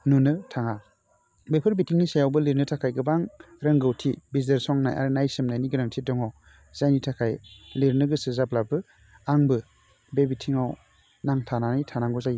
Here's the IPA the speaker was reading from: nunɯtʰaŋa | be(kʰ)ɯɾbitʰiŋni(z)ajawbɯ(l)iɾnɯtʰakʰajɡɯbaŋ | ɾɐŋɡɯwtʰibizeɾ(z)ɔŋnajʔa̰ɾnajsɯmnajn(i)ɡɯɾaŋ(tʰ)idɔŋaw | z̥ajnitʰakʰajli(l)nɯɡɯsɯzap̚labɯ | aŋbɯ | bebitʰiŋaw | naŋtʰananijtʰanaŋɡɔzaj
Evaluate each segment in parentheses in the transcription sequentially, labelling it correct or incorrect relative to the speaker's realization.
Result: incorrect, incorrect, correct, incorrect, correct, correct, incorrect

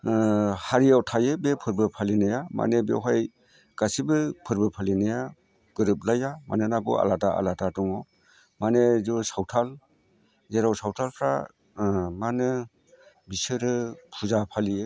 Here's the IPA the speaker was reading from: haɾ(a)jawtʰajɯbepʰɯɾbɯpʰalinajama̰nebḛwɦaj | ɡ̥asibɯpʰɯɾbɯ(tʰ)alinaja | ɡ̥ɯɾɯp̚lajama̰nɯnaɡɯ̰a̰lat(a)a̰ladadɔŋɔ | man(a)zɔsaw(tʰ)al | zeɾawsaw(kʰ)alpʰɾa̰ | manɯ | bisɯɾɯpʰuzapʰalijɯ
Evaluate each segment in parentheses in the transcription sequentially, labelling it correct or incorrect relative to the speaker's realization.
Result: incorrect, incorrect, correct, incorrect, correct, incorrect

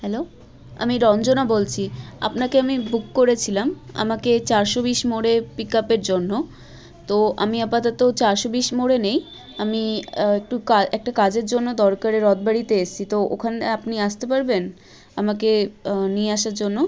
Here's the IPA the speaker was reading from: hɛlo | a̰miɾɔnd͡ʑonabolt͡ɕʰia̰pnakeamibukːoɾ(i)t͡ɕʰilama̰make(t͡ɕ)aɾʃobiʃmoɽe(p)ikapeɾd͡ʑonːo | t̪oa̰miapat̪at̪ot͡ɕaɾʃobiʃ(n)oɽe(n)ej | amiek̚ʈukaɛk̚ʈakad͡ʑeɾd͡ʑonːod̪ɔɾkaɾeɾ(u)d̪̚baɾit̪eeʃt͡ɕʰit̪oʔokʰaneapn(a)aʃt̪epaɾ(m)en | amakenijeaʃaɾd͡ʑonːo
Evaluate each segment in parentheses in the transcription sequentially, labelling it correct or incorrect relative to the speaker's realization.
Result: incorrect, correct, correct, incorrect, correct, incorrect, incorrect, incorrect

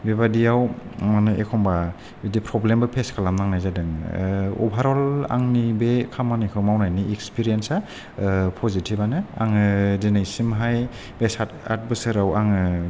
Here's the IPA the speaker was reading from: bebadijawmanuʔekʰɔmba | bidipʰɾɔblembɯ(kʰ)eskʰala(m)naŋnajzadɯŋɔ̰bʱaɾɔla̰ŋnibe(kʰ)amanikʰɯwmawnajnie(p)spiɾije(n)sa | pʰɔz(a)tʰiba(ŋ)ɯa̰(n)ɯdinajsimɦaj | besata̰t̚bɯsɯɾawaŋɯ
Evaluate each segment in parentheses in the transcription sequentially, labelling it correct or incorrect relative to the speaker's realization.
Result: incorrect, correct, correct, incorrect, correct, incorrect, incorrect, incorrect

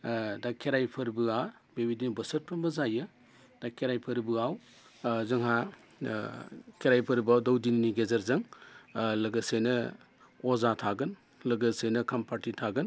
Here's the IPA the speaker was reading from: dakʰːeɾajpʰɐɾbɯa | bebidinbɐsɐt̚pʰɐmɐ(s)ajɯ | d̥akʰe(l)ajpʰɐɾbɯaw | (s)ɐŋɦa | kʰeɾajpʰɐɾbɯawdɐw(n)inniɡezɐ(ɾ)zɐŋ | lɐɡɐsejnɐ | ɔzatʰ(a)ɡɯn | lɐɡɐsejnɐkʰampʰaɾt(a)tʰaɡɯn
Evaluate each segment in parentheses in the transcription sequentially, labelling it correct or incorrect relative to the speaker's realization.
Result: incorrect, incorrect, incorrect, incorrect, correct, correct, incorrect

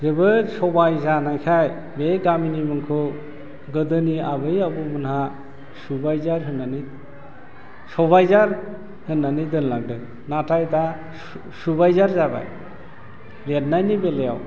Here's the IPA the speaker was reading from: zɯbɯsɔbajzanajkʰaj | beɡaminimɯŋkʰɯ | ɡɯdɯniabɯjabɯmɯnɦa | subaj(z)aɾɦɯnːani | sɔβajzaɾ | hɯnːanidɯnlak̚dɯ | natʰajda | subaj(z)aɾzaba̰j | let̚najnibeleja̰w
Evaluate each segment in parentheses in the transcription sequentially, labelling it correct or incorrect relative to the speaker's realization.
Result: correct, correct

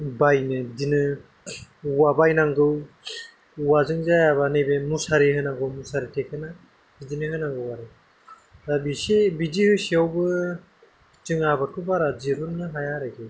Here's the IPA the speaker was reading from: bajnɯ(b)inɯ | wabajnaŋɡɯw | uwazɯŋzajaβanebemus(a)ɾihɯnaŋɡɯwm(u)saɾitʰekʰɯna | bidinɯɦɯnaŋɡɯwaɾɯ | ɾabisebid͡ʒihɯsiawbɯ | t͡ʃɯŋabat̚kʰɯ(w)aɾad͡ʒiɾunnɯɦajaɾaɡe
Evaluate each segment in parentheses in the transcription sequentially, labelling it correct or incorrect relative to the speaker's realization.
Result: incorrect, correct, correct, incorrect

